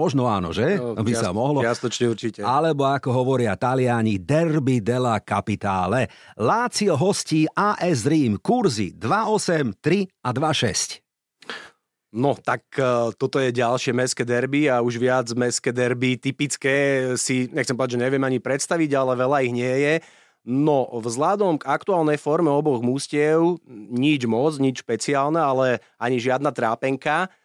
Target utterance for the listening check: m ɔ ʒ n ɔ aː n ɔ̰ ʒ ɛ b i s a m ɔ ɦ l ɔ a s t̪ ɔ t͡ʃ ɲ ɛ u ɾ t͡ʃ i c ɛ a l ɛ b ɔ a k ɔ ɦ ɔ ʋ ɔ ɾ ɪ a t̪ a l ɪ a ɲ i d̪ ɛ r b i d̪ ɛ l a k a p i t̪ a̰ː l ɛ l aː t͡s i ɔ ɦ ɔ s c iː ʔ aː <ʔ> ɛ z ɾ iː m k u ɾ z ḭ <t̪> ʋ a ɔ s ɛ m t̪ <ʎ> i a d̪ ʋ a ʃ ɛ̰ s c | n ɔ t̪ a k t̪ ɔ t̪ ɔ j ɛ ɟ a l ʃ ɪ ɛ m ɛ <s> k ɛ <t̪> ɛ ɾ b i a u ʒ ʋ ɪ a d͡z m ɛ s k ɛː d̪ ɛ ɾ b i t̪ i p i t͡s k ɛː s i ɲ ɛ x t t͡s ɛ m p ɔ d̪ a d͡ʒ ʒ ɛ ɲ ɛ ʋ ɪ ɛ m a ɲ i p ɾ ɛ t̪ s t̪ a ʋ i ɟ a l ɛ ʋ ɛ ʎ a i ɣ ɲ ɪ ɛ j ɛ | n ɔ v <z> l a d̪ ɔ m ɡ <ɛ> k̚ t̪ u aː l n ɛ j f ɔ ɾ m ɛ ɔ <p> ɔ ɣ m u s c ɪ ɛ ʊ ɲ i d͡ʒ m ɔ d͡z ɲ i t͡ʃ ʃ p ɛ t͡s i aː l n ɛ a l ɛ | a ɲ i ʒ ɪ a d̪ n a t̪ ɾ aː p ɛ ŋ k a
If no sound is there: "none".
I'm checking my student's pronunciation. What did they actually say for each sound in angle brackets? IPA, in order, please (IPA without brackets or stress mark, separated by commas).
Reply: ʔ, d̪, ɾ, s, d̪, z, a, b